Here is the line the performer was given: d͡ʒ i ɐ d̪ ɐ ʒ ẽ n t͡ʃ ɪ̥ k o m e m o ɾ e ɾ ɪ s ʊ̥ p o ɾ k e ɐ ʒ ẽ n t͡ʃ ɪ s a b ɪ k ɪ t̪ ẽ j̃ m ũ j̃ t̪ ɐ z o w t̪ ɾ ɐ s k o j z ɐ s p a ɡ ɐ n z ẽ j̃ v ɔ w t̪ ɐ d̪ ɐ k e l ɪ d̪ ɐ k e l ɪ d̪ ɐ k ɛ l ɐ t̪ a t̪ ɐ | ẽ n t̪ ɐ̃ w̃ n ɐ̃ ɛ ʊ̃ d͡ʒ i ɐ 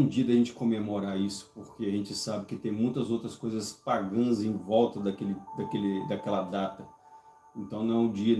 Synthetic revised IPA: d͡ʒ i ɐ d̪ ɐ ʒ ẽ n t͡ʃ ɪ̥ k o m e m o ɾ a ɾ i s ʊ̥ p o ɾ k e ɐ ʒ ẽ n t͡ʃ ɪ s a b ɪ k ɪ t̪ ẽ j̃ m ũ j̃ t̪ ɐ z o w t̪ ɾ ɐ s k o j z ɐ s p a ɡ ɐ̃ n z ẽ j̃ v ɔ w t̪ ɐ d̪ ɐ k e l ɪ d̪ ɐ k e l ɪ d̪ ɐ k ɛ l ɐ d̪ a t̪ ɐ | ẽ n t̪ ɐ̃ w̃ n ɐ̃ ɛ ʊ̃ d͡ʒ i ɐ

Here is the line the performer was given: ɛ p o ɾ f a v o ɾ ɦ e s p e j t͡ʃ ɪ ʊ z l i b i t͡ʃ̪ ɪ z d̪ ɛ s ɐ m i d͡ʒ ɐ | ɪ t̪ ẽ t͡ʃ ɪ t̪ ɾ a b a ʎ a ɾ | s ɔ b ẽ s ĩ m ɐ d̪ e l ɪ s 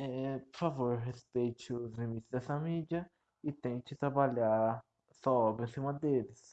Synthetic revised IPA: ɛ p o ɾ f a v o ɾ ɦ e s p e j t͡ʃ ɪ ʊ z l i m i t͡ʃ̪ ɪ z d̪ ɛ s ɐ m i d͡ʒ ɐ | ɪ t̪ ẽ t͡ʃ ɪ t̪ ɾ a b a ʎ a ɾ | s ɔ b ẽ s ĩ m ɐ d̪ e l ɪ s

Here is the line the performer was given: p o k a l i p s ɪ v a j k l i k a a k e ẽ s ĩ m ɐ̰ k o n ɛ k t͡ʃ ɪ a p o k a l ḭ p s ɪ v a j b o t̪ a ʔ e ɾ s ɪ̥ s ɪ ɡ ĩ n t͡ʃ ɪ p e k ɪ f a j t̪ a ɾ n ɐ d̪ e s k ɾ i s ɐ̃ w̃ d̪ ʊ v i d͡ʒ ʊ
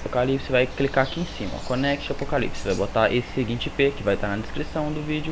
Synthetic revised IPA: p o k a l i p s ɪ v a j k l i k a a k i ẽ s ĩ m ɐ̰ k o n ɛ k t͡ʃ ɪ a p o k a l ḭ p s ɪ v a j b o t̪ a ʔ e s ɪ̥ s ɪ ɡ ĩ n t͡ʃ ɪ p e k ɪ v a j t̪ a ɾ n ɐ d̪ e s k ɾ i s ɐ̃ w̃ d̪ ʊ v i d͡ʒ ʊ

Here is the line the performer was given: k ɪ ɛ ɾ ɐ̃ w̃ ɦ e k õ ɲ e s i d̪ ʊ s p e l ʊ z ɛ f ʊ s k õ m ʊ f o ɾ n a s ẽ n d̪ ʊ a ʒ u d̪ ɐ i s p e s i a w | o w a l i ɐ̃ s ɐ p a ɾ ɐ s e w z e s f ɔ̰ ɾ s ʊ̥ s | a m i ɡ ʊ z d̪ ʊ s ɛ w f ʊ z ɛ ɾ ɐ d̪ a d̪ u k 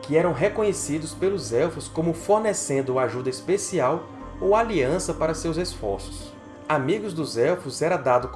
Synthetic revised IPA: k ɪ ɛ ɾ ɐ̃ w̃ ɦ e k õ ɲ e s i d̪ ʊ s p e l ʊ z ɛ f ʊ s k õ m ʊ f o ɾ n e s ẽ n d̪ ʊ a ʒ u d̪ ɐ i s p e s i a w | o w a l i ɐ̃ s ɐ p a ɾ ɐ s e w z e s f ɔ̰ ɾ s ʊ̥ s | a m i ɡ ʊ z d̪ ʊ z ɛ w f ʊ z ɛ ɾ ɐ d̪ a d̪ ʊ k

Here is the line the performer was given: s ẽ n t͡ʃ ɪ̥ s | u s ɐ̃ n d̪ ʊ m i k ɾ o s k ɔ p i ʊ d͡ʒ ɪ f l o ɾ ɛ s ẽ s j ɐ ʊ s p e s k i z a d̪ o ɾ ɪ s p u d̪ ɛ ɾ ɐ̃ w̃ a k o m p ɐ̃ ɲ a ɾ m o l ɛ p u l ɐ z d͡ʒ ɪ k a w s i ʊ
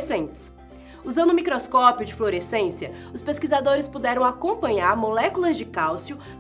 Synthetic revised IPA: s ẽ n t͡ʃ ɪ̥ s | u z ɐ̃ n d̪ ʊ m i k ɾ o s k ɔ p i ʊ d͡ʒ ɪ f l o ɾ e s ẽ s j ɐ ʊ s p e s k i z a d̪ o ɾ ɪ s p u d̪ ɛ ɾ ɐ̃ w̃ a k õ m p ɐ̃ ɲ a ɾ m o l ɛ k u l ɐ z d͡ʒ ɪ k a w s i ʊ

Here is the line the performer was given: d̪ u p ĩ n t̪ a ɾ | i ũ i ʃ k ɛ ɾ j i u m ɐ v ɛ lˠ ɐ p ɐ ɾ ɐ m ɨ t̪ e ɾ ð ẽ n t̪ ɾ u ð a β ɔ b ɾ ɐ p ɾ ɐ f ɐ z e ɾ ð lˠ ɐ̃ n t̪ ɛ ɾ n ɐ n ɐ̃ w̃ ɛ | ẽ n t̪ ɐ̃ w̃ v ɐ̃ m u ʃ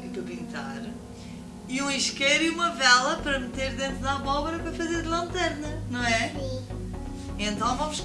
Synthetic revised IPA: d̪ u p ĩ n t̪ a ɾ | i ũ i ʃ k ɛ ɾ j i u m ɐ v ɛ lˠ ɐ p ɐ ɾ ɐ m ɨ t̪ e ɾ ð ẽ n t̪ ɾ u ð a β ɔ β ɾ ɐ p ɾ ɐ f ɐ z e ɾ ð lˠ ɐ̃ n t̪ ɛ ɾ n ɐ n ɐ̃ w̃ ɛ | ẽ n t̪ ɐ̃ w̃ v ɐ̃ m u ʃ

